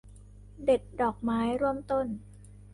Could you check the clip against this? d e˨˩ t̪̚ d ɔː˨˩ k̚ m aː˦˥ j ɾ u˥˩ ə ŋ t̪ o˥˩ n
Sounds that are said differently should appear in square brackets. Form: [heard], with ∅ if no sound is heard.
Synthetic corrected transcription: d e˨˩ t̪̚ d ɔː˨˩ k̚ m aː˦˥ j ɾ u˥˩ ə [m] t̪ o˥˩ n